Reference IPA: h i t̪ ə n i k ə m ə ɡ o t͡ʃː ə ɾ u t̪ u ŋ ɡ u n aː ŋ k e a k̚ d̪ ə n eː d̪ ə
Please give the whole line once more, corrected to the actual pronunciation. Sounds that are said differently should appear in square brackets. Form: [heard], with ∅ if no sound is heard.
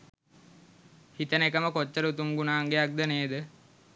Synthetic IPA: h i t̪ ə n [e] k ə m ə [k] o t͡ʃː ə ɾ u t̪ u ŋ ɡ u n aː ŋ [ɡ] e a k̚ d̪ ə n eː d̪ ə